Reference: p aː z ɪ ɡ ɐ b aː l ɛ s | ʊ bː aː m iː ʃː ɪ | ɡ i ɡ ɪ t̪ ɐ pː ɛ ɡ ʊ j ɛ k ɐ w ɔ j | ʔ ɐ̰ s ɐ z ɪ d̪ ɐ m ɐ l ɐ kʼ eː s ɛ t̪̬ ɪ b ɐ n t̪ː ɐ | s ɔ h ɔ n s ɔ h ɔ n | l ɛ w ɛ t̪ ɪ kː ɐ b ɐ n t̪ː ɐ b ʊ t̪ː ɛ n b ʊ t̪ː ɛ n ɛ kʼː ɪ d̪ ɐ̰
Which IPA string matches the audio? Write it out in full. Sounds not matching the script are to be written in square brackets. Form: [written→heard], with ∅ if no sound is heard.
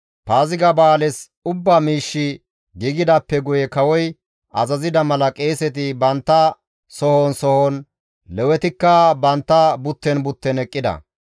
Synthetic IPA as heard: p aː z ɪ ɡ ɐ b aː l ɛ s | ʊ bː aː m iː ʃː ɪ | ɡ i ɡ ɪ [t̪→d̪] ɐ pː ɛ ɡ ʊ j ɛ k ɐ w ɔ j | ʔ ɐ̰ [s→z] ɐ z ɪ d̪ ɐ m ɐ l ɐ kʼ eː s ɛ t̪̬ ɪ b ɐ n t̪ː ɐ | s ɔ h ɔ n s ɔ h ɔ n | l ɛ w ɛ t̪ ɪ kː ɐ b ɐ n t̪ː ɐ b ʊ t̪ː ɛ n b ʊ t̪ː ɛ n ɛ kʼː ɪ d̪ ɐ̰